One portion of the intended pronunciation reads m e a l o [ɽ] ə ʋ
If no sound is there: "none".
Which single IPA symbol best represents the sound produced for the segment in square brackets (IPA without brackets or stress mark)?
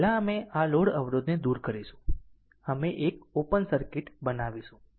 ɽ